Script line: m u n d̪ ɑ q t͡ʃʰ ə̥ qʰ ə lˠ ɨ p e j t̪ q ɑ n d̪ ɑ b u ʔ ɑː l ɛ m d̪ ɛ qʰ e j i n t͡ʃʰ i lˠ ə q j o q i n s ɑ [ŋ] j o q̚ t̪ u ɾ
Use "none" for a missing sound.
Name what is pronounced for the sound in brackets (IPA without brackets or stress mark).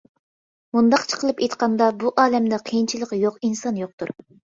n